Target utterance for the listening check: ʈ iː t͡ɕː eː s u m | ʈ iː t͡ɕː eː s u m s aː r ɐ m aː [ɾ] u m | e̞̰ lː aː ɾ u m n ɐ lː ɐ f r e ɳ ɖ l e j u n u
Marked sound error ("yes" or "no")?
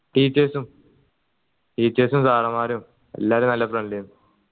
no